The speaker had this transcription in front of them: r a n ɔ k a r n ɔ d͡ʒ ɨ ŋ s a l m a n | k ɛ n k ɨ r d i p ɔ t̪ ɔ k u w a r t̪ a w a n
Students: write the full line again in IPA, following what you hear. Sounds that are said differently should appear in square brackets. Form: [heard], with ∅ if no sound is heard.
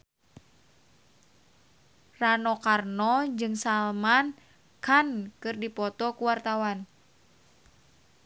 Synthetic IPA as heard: r a n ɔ k a r n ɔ d͡ʒ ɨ ŋ s a l m a n | k [a] n k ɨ r d i p ɔ t̪ ɔ k u w a r t̪ a w a n